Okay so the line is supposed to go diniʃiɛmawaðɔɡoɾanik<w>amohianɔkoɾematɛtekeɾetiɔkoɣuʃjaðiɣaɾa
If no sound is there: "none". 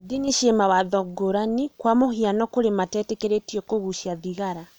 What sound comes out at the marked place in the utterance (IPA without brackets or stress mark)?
w